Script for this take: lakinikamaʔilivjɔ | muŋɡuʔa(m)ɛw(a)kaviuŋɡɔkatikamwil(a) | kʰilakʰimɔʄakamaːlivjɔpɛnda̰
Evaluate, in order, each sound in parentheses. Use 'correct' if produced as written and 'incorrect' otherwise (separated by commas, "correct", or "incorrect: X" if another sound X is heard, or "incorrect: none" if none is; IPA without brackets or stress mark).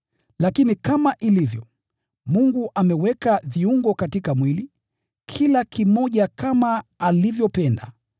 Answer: correct, incorrect: ɛ, incorrect: i